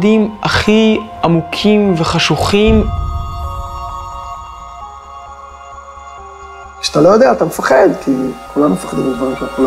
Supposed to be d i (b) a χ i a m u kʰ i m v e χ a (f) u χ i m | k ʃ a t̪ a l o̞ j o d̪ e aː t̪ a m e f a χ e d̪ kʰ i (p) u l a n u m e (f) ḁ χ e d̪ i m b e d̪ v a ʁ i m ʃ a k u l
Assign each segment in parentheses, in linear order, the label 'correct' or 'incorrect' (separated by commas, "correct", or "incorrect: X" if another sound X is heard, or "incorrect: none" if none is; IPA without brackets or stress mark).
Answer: incorrect: m, incorrect: ʃ, incorrect: k, correct